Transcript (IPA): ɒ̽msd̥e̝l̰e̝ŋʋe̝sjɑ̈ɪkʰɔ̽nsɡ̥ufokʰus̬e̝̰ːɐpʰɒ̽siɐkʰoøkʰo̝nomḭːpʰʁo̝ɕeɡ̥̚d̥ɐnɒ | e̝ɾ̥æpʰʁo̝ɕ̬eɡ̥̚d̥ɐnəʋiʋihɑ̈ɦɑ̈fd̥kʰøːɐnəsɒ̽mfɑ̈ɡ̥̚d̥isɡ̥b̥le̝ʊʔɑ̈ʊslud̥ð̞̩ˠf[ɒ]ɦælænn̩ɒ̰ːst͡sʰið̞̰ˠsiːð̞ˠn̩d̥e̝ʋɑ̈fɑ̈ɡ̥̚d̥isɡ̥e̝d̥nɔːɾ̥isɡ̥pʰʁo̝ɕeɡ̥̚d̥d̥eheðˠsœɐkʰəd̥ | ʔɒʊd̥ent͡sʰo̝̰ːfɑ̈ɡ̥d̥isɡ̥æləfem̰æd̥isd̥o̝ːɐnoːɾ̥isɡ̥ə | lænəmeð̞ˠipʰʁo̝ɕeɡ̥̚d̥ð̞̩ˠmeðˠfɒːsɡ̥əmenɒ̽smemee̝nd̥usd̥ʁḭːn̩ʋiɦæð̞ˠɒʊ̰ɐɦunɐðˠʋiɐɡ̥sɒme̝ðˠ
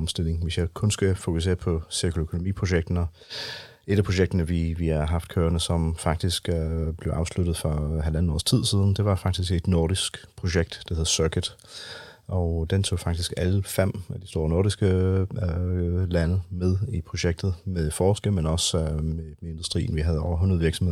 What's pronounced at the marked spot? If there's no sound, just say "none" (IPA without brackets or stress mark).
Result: ɒ